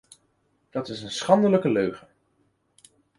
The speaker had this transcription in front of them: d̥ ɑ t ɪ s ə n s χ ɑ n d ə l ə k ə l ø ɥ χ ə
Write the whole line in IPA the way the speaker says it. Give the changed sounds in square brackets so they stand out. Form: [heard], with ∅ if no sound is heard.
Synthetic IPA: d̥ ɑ t ɪ s ə n s χ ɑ n d ə l ə k ə l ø ɥ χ ə